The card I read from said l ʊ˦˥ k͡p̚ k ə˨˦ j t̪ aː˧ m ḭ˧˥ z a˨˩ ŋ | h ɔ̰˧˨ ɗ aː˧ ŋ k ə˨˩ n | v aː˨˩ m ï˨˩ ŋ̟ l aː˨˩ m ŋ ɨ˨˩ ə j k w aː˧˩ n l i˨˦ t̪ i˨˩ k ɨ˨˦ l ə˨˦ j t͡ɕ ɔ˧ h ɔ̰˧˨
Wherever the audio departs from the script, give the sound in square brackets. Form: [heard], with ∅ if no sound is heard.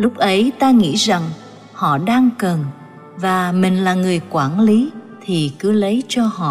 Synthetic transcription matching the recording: l ʊ˦˥ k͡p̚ [ʔ] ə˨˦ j t̪ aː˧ [ŋ] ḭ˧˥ z a˨˩ ŋ | h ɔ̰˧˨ ɗ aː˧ ŋ k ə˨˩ n | v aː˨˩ m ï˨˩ ŋ̟ l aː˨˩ [∅] ŋ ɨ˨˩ ə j k w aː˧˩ n l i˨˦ [t̪ʰ] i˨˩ k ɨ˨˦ l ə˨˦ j t͡ɕ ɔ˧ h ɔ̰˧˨